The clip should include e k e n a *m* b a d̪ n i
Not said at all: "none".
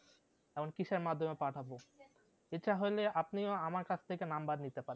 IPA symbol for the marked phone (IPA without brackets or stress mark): m